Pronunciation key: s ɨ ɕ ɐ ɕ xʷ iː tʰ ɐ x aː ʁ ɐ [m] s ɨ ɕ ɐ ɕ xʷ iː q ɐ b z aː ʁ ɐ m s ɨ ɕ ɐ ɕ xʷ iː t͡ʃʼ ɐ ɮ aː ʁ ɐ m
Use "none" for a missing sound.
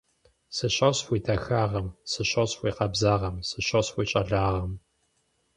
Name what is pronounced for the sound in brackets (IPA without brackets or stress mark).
m